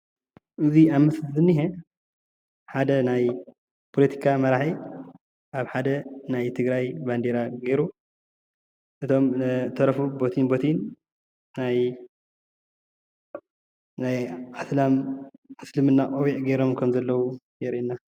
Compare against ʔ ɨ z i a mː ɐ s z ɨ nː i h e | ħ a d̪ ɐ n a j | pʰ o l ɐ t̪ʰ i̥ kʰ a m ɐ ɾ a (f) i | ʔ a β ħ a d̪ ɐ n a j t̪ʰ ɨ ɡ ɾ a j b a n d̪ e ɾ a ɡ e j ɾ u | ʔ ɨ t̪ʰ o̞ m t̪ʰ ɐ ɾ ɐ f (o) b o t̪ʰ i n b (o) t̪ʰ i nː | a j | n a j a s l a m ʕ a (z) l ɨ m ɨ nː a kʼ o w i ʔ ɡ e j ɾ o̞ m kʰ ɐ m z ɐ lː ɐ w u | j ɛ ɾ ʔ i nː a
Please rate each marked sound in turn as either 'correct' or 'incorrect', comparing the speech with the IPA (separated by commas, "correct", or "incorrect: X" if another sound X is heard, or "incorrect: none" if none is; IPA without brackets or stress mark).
incorrect: ħ, incorrect: u, correct, incorrect: s